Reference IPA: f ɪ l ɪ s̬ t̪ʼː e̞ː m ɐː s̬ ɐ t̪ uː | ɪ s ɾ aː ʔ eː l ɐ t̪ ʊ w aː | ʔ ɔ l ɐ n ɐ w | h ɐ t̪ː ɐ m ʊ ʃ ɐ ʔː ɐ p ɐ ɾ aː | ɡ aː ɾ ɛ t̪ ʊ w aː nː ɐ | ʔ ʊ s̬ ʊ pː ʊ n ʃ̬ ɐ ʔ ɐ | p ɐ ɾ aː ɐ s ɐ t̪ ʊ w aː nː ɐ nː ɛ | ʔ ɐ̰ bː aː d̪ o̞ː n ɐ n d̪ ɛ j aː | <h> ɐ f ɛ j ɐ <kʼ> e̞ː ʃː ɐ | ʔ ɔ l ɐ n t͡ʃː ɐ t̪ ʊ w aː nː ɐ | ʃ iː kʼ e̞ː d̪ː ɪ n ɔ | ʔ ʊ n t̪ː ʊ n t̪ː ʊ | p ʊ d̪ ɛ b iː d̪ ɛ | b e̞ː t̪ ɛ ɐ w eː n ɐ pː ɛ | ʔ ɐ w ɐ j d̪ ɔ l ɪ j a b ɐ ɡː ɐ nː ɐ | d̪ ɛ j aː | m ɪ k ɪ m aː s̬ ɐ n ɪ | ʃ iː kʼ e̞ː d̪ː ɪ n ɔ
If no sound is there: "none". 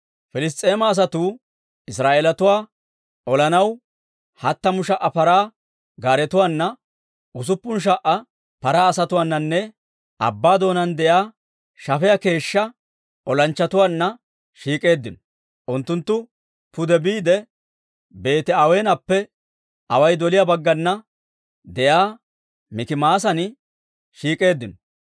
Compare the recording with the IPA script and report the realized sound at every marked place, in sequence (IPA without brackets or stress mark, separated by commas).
ʃ, k